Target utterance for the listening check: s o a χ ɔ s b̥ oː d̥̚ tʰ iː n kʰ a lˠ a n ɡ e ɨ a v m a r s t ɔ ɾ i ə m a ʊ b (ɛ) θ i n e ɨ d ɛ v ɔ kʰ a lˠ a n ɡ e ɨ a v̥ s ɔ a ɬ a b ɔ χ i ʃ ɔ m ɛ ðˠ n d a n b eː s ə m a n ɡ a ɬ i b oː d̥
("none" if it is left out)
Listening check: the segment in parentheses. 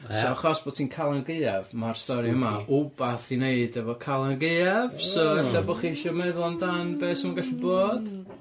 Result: a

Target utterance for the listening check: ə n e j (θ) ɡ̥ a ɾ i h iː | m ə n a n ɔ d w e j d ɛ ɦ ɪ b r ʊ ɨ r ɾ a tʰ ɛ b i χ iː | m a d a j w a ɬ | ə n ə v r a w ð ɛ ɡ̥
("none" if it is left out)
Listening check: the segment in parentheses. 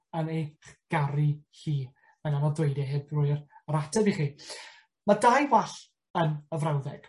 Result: χ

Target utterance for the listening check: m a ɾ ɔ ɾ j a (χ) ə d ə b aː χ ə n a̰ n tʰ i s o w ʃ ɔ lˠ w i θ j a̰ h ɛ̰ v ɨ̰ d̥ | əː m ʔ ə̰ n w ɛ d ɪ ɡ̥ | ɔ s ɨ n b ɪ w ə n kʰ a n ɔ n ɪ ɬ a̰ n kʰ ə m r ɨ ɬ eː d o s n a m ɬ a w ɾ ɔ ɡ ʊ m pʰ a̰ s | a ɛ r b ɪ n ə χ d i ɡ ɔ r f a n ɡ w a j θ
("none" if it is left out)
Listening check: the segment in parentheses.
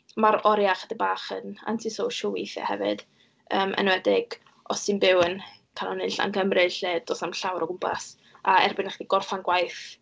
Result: χ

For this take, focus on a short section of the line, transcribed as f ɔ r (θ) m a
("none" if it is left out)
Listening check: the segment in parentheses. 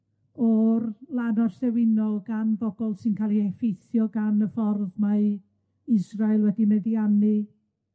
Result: ð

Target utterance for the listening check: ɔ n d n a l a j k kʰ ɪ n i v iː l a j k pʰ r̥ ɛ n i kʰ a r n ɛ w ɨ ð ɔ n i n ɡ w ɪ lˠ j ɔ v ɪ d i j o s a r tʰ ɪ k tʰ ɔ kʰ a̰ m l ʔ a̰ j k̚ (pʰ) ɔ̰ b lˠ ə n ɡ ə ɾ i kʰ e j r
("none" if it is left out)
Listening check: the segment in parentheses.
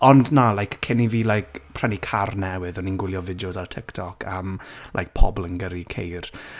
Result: pʰ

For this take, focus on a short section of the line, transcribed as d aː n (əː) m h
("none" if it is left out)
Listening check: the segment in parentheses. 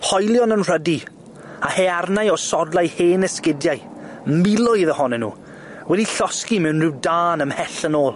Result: ə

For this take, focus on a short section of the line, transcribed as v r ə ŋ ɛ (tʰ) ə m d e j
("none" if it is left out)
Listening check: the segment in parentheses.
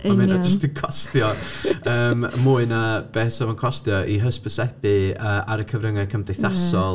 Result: kʰ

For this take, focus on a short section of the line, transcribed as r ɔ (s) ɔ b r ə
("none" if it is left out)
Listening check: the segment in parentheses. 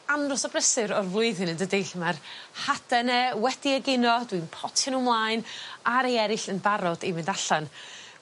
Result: s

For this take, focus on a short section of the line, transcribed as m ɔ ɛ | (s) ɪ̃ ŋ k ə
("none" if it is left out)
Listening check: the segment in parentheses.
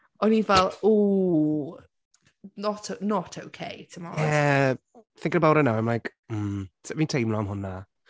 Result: θ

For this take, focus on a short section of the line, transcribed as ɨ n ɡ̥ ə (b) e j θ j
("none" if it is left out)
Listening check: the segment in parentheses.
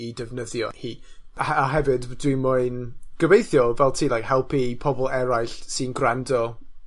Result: v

